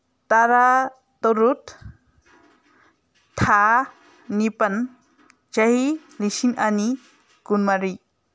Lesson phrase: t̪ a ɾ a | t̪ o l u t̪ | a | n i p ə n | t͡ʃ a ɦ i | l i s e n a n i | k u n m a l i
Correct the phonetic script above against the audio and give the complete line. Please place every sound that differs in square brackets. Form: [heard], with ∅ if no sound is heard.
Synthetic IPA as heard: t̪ a ɾ a | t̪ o [ɾ] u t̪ | a | n i p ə n | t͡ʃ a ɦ i | l i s [i] n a n i | k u n m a [ɾ] i